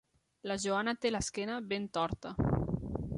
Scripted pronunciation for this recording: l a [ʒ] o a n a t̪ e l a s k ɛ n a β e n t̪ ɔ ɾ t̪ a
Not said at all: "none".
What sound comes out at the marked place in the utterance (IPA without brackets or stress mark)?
ʒ